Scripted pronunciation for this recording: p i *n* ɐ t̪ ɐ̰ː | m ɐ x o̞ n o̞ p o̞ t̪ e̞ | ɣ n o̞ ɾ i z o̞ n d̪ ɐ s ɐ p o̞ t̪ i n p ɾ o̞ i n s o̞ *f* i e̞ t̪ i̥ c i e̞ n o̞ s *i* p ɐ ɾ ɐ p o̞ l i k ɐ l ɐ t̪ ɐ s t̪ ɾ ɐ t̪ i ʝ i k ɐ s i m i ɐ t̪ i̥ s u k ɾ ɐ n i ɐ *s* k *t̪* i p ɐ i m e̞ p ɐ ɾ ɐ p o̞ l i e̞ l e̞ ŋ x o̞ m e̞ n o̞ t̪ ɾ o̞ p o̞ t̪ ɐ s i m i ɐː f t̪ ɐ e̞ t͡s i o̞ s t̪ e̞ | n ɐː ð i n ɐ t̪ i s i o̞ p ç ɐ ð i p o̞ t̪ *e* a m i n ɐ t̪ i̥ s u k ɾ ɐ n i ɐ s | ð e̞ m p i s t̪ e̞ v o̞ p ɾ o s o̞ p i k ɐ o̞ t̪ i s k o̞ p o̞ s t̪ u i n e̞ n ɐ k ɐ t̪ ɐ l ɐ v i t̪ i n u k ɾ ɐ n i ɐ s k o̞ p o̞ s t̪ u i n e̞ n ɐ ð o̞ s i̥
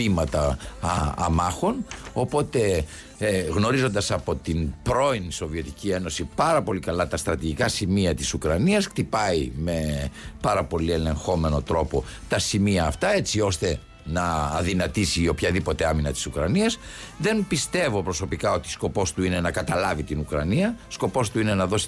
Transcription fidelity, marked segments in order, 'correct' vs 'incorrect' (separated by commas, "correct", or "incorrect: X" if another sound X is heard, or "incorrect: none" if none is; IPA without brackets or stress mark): incorrect: m, incorrect: v, correct, correct, correct, correct